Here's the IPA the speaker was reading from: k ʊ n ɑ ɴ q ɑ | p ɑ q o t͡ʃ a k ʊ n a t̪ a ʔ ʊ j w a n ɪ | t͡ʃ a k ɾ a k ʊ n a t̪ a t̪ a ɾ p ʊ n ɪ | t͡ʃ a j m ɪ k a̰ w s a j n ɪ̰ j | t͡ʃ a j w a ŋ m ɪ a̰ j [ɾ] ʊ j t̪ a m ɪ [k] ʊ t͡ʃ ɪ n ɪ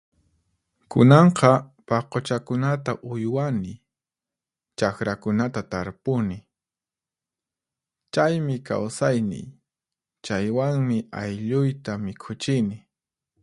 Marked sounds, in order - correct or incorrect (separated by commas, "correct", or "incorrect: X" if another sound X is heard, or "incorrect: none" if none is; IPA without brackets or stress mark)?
incorrect: ʎ, incorrect: kʰ